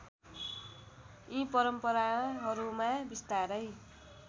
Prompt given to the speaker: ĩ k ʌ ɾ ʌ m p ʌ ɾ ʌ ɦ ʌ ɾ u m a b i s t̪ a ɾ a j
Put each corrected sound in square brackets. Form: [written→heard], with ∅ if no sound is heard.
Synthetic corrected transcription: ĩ [k→p] ʌ ɾ ʌ m p ʌ ɾ [ʌ→a] ɦ ʌ ɾ u m a b i s t̪ a ɾ [a→ʌ] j